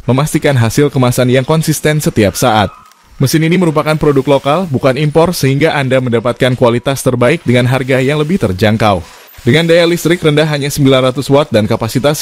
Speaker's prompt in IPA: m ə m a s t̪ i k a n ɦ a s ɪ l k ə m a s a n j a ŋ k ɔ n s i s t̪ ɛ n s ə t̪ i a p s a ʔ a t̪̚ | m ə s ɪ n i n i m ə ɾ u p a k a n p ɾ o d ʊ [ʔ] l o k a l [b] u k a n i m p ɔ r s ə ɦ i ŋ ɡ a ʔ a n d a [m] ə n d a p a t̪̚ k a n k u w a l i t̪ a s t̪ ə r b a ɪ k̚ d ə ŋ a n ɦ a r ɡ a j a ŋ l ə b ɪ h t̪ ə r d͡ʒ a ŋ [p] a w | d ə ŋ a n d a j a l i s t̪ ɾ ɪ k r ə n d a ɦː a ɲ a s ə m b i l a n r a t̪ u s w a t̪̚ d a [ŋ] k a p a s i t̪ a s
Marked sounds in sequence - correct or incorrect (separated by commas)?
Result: incorrect, correct, correct, incorrect, incorrect